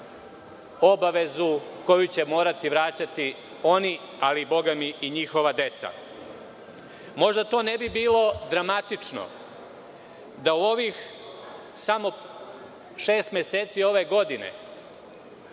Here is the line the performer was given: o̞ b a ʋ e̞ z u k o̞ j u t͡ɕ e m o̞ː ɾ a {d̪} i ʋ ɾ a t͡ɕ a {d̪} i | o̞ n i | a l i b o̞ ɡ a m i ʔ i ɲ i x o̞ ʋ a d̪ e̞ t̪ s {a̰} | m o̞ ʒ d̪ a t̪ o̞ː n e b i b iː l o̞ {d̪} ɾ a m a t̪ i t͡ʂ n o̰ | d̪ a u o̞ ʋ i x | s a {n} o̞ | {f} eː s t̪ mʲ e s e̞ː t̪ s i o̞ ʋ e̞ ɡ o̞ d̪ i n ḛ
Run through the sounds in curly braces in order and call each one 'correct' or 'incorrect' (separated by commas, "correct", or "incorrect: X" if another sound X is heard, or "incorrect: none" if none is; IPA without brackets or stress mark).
incorrect: t̪, incorrect: t̪, correct, correct, incorrect: m, incorrect: ʃ